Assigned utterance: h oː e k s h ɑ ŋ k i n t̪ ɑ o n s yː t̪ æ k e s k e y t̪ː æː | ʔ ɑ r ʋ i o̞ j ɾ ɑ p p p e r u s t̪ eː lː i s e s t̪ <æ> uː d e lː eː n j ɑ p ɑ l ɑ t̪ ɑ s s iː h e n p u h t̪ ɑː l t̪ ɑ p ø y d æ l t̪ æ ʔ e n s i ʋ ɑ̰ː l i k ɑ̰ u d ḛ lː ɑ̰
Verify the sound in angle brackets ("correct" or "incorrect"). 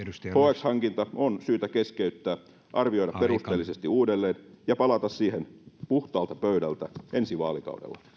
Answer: incorrect